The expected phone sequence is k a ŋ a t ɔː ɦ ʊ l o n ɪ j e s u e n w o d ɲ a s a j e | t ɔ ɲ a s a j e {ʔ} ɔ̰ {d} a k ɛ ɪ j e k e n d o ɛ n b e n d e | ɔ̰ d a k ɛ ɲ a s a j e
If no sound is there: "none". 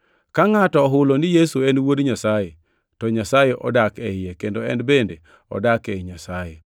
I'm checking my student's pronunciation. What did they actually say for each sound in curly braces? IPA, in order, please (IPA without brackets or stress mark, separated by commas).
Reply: ʔ, d